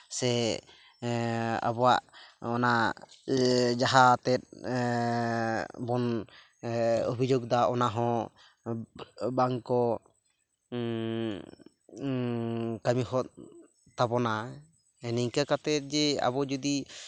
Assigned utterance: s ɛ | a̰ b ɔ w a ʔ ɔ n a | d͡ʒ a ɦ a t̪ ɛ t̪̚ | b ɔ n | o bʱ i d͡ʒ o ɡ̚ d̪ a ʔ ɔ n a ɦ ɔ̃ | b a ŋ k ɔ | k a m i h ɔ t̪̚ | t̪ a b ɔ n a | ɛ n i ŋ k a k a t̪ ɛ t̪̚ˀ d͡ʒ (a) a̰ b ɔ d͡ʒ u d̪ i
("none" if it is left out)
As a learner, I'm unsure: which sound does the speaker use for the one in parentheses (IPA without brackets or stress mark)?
ɛ